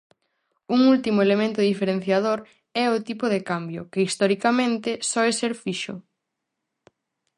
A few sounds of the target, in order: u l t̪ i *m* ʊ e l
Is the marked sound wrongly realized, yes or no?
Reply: no